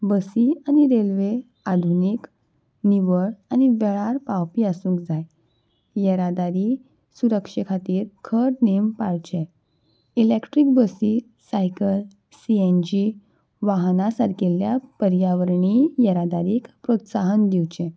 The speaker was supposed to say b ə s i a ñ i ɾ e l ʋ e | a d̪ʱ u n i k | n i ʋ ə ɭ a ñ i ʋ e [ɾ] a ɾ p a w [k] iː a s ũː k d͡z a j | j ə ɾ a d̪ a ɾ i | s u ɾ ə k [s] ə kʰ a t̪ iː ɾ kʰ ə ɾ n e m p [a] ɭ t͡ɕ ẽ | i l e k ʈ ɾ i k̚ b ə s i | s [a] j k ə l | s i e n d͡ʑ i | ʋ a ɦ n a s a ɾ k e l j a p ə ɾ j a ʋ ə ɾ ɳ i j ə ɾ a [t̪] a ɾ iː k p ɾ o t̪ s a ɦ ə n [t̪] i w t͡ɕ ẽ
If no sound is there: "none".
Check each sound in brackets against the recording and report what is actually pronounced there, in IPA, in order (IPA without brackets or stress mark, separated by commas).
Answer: ɭ, p, ʂ, a, a, d̪, d̪